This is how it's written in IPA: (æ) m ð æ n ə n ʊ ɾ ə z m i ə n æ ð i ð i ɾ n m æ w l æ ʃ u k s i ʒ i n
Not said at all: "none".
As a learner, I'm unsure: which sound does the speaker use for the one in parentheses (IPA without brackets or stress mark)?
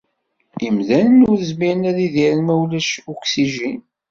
i